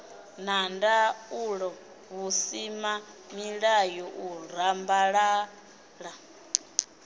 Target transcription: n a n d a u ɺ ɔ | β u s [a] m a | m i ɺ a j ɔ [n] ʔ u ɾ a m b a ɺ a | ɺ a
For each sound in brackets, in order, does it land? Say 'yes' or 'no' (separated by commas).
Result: no, no